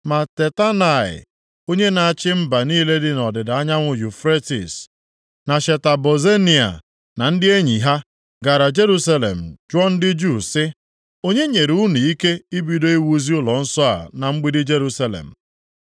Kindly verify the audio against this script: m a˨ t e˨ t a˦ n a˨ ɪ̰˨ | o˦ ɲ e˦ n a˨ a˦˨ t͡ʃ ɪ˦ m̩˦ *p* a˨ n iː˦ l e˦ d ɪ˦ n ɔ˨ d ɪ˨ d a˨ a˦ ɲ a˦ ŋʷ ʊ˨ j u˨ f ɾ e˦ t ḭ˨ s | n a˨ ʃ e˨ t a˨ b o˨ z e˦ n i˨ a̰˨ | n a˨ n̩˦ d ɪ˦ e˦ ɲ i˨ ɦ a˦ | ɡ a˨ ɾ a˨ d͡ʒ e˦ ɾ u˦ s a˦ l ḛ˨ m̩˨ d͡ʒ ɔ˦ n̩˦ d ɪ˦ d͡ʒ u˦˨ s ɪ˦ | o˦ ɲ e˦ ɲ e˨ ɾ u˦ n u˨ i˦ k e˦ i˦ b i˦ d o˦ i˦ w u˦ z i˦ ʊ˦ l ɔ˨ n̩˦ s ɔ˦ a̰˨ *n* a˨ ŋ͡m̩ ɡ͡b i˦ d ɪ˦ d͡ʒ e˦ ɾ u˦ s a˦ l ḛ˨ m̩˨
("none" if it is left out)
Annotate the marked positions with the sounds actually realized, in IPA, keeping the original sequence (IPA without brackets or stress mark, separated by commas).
b, n